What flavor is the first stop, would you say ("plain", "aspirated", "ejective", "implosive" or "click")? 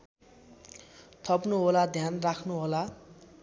aspirated